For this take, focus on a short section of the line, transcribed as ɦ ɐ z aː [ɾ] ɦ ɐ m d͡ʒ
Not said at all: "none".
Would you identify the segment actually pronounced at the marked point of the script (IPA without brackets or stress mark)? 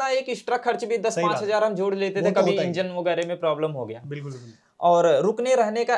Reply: ɾ